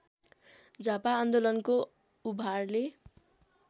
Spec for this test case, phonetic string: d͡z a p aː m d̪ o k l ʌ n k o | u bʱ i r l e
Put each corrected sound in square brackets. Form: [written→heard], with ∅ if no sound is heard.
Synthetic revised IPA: d͡z a p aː [m→n] d̪ o [k→∅] l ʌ n k o | u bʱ [i→a] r l e